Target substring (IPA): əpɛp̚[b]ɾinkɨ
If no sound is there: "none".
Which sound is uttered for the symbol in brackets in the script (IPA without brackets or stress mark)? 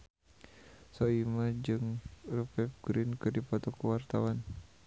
ɡ